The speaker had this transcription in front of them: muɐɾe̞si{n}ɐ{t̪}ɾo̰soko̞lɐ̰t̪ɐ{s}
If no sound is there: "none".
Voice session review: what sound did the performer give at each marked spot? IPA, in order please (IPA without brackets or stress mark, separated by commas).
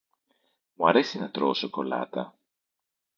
n, t̪, none